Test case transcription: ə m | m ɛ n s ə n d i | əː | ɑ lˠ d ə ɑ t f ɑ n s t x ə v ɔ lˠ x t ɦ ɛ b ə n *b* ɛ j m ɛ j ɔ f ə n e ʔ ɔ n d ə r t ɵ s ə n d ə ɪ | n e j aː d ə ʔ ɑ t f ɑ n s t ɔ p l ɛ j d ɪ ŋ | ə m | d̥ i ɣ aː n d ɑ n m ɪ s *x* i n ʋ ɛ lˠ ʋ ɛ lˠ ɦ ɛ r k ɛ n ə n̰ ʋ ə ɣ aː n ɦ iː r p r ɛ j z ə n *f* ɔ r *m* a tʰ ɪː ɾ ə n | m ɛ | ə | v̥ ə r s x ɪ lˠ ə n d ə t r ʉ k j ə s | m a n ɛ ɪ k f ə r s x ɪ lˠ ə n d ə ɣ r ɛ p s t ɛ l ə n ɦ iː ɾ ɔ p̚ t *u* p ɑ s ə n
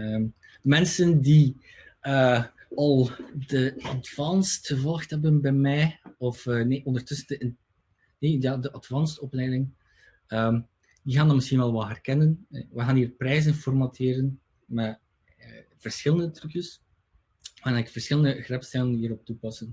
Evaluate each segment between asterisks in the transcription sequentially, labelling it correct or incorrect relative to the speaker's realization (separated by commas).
correct, correct, correct, correct, correct